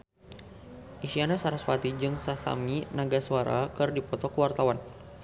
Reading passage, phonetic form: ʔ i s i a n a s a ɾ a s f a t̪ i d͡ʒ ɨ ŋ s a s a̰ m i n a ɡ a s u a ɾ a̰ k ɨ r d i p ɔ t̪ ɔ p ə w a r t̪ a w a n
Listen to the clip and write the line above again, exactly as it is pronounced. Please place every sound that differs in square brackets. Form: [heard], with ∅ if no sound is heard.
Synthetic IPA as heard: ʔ i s i a n a s a ɾ a s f a t̪ i d͡ʒ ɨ ŋ s a s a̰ m i n a ɡ a s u a ɾ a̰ k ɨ r d i p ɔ t̪ ɔ [k] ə w a r t̪ a w a n